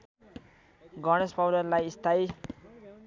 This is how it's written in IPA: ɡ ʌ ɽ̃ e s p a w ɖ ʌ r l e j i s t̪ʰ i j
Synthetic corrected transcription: ɡ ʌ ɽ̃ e s p a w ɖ ʌ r l a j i s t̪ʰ a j